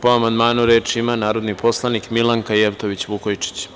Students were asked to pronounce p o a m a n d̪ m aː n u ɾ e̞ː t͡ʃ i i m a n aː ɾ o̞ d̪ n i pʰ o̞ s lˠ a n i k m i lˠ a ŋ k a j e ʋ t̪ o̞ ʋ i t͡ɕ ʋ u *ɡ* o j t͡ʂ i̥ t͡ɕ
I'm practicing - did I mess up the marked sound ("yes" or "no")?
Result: yes